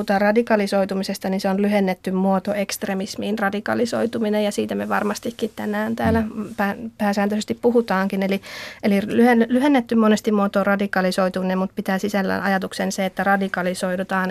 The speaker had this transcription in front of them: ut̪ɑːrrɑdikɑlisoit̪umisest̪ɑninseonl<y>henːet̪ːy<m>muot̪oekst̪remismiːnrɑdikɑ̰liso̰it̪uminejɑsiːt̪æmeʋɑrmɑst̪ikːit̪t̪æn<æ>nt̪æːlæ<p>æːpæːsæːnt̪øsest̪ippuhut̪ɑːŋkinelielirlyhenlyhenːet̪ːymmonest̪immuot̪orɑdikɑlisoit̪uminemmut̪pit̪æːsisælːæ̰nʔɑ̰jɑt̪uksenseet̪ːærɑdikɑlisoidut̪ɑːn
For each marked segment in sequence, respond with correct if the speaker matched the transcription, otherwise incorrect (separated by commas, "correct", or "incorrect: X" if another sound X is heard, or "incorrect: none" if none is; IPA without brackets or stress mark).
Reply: correct, correct, incorrect: æː, correct